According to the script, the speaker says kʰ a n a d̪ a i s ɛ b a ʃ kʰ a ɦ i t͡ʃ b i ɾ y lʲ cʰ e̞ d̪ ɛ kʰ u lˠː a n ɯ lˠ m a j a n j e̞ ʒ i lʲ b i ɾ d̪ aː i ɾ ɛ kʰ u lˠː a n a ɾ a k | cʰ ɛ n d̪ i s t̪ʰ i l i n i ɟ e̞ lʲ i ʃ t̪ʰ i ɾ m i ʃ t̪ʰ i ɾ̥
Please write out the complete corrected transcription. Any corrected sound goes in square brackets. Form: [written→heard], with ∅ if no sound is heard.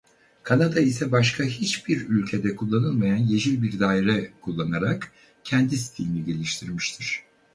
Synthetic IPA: kʰ a n a d̪ a i s ɛ b a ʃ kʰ a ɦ i t͡ʃ b i ɾ y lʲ cʰ e̞ d̪ ɛ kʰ u lˠː a n ɯ lˠ m a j a n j e̞ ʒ i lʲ b i ɾ d̪ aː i ɾ ɛ kʰ u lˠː a n a ɾ a k | cʰ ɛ n d̪ i s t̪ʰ i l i n i ɟ e̞ lʲ i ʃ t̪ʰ i ɾ m i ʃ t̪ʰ i ɾ̥